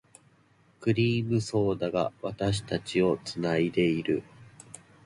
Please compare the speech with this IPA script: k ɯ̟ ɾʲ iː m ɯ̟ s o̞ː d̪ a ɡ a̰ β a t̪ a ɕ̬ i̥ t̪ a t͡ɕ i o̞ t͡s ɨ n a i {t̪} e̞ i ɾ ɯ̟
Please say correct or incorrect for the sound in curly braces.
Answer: incorrect